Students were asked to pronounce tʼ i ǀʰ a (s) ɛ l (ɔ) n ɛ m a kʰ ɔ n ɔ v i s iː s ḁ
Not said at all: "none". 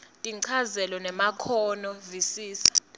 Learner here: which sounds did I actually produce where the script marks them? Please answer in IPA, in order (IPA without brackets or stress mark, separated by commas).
z, ɔ